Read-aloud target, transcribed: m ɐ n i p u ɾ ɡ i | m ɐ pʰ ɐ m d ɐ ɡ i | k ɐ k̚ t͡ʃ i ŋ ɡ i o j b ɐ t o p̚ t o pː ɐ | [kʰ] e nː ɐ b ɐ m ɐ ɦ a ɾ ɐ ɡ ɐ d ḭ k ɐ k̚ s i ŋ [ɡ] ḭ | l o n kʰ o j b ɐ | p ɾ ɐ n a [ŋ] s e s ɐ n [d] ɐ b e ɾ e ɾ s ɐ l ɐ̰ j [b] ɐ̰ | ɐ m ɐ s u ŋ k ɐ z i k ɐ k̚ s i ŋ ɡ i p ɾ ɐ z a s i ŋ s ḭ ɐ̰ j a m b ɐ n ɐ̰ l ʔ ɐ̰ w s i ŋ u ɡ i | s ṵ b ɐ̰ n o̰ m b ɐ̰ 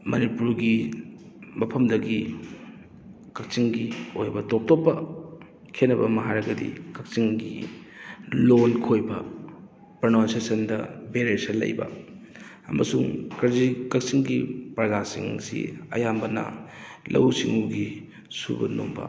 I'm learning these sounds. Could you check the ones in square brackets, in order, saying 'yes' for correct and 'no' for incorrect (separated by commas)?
yes, yes, no, yes, yes